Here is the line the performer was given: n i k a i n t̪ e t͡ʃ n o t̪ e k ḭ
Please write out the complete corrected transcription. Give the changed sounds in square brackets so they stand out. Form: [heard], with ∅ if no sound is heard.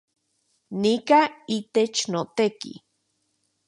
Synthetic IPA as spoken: n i k a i [∅] t̪ e t͡ʃ n o t̪ e k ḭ